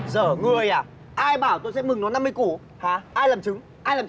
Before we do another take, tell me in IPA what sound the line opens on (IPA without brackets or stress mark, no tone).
z